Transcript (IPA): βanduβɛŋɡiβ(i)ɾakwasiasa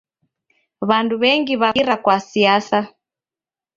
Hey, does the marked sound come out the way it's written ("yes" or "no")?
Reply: no